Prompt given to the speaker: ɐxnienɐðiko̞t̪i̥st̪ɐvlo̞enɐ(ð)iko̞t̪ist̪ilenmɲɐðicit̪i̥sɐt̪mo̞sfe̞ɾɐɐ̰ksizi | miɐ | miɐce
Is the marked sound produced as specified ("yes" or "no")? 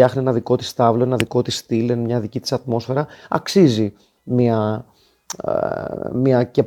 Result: yes